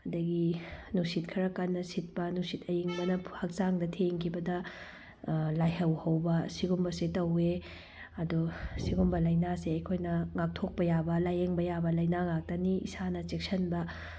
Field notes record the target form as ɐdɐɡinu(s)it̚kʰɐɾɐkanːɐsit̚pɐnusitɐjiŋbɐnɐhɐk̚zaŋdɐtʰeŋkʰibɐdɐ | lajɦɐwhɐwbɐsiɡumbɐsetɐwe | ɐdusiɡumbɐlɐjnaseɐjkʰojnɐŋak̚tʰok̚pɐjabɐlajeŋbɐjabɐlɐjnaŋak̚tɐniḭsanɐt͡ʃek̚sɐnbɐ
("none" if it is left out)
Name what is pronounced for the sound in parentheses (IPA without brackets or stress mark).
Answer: s